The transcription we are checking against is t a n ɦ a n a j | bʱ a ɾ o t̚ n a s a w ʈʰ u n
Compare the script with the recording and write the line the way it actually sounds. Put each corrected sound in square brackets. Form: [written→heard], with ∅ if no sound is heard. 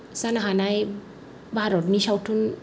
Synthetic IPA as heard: [t→s] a n ɦ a n a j | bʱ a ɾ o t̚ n [a→i] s a w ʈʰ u n